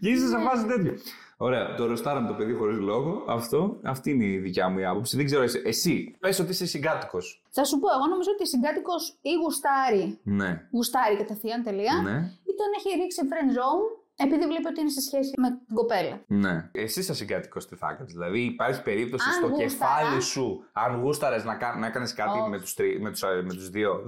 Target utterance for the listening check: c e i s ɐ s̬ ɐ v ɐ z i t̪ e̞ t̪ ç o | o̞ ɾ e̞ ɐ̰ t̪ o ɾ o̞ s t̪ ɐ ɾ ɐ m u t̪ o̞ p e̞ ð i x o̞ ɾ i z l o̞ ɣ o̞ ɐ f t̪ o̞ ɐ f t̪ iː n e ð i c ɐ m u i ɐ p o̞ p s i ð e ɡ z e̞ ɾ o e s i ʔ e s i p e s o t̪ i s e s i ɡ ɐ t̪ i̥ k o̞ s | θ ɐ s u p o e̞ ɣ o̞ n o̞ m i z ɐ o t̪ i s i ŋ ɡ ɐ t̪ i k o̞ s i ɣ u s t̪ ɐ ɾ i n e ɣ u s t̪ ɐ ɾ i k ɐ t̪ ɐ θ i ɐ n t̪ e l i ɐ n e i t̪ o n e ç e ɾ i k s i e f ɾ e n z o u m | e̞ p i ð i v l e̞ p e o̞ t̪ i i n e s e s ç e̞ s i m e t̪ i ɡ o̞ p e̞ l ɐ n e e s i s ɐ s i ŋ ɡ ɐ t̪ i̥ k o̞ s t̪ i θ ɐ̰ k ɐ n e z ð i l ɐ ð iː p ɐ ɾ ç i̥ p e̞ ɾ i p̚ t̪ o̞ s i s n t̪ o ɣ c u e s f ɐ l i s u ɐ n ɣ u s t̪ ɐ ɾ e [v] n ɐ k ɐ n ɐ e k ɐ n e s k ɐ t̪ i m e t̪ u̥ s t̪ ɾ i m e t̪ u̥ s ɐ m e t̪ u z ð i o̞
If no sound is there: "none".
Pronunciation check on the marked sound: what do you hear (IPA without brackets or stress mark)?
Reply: z